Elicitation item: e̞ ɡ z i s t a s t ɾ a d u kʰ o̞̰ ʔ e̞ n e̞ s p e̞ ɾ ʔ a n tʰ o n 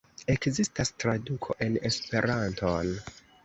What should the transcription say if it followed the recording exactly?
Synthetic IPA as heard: e̞ k z i s t a s t ɾ a d u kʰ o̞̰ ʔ e̞ n e̞ s p e̞ ɾ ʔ a n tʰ o n